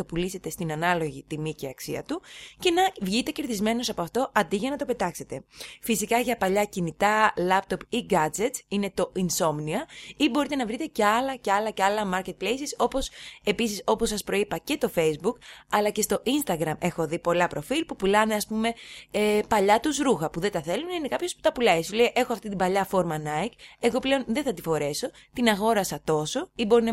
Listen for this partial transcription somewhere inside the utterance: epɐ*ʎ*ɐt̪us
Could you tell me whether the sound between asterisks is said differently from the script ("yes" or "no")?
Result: no